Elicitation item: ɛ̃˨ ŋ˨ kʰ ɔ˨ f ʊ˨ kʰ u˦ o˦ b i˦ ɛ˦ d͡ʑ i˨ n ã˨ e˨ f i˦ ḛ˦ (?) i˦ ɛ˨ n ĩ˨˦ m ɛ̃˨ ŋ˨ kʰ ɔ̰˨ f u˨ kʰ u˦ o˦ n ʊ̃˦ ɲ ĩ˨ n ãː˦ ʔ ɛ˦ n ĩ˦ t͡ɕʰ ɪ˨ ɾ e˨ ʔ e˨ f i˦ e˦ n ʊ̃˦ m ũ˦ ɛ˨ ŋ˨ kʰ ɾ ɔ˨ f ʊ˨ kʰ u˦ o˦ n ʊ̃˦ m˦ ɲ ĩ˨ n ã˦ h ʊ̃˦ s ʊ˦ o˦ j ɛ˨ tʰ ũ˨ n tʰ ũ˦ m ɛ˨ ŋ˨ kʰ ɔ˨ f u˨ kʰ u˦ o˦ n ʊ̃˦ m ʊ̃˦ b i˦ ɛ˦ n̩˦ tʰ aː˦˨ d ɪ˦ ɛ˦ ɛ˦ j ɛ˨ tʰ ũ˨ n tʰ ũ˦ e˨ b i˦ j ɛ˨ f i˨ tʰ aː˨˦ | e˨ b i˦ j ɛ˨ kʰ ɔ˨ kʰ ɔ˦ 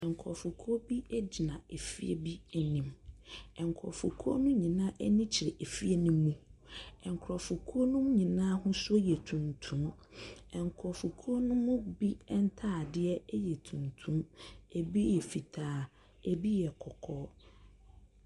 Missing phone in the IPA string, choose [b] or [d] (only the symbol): b